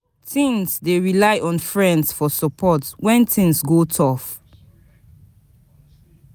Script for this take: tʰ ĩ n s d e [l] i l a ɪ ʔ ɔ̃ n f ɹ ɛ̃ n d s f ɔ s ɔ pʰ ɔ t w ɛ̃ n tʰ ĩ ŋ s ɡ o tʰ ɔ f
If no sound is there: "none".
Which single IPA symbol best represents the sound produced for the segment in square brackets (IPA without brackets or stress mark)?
ɹ